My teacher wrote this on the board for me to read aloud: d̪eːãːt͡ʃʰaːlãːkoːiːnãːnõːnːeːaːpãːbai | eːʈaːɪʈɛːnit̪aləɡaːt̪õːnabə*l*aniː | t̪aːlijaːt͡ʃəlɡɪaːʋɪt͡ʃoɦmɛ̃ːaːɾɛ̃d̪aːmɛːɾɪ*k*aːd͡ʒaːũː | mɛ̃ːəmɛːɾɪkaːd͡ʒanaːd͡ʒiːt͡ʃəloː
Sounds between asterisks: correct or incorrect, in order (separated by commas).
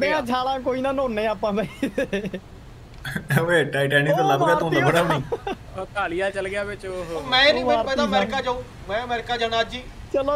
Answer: incorrect, correct